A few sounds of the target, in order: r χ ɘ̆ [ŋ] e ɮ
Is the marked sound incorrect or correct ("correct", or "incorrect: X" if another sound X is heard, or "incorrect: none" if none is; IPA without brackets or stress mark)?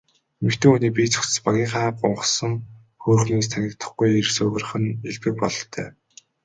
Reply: incorrect: n